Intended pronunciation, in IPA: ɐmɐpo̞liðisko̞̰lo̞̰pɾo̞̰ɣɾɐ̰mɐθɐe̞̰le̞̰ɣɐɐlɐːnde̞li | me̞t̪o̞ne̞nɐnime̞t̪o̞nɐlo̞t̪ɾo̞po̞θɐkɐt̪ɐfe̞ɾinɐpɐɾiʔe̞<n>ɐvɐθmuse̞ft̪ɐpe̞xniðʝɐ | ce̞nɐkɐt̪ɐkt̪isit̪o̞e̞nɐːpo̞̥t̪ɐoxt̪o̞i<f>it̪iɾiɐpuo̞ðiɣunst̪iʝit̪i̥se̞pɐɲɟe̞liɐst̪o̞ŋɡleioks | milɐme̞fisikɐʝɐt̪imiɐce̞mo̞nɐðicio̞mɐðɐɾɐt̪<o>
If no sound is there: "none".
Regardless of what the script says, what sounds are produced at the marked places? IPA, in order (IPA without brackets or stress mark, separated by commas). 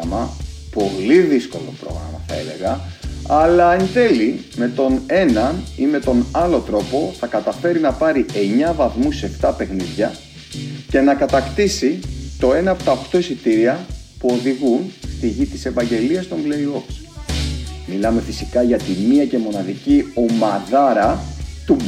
ɲ, s, u